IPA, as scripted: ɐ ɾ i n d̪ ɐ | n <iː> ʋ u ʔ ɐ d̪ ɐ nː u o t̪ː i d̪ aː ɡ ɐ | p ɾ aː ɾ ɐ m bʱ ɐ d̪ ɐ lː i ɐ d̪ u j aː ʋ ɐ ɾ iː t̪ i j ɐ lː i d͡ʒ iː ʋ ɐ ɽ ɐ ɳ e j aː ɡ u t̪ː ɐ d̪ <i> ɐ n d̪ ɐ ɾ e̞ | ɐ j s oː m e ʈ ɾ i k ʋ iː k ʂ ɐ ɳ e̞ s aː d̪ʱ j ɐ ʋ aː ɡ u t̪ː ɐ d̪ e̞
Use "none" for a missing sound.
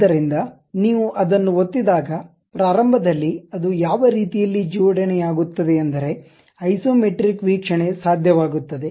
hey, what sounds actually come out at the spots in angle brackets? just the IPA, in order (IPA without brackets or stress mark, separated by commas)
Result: iː, e